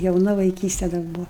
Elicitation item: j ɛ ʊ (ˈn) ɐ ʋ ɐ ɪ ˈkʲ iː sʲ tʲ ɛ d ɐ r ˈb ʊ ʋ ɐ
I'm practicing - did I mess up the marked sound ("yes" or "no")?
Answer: no